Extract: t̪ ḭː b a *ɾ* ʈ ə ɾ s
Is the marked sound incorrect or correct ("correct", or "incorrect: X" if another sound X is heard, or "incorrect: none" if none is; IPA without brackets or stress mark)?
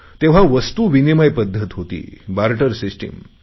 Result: correct